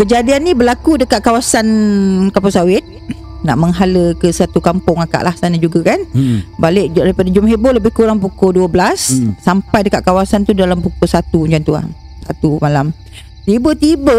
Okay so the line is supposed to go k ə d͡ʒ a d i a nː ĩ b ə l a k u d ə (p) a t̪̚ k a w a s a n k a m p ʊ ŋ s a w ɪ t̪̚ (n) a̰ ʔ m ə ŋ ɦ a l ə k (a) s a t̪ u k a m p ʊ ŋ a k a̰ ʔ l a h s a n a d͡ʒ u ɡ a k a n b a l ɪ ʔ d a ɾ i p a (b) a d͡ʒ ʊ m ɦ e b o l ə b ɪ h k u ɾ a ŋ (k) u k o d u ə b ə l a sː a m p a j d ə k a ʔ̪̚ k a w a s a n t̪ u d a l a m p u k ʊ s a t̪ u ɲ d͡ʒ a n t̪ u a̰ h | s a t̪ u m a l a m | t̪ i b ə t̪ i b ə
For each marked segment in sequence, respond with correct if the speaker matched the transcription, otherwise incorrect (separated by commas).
incorrect, correct, incorrect, incorrect, incorrect